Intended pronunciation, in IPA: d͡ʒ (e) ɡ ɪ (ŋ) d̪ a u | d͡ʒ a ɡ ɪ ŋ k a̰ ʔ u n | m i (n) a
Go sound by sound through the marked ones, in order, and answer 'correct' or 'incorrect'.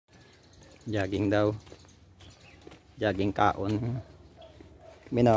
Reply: incorrect: a, correct, correct

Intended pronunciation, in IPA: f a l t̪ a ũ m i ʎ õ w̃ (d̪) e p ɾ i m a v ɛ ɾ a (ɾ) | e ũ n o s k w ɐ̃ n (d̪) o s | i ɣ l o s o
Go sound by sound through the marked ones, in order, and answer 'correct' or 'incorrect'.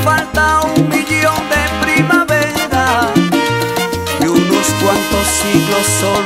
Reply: correct, incorrect: none, incorrect: t̪

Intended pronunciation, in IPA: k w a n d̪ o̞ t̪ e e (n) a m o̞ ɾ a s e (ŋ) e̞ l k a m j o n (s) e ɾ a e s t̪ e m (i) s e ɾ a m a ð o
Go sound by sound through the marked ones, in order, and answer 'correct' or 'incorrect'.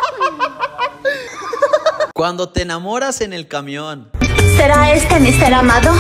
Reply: correct, incorrect: n, correct, correct

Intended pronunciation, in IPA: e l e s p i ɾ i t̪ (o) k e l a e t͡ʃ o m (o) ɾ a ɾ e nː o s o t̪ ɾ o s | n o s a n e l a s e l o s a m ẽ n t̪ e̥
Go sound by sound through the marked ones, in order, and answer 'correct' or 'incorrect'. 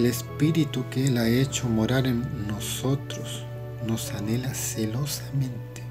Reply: incorrect: u, correct

